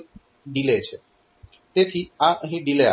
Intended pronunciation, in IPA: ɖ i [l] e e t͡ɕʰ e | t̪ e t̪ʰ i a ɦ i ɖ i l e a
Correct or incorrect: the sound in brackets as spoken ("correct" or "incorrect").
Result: correct